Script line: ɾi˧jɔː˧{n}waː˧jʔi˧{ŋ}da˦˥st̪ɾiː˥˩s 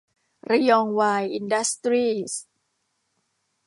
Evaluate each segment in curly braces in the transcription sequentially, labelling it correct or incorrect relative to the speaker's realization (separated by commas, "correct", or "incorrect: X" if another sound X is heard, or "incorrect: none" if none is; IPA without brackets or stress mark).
incorrect: ŋ, incorrect: n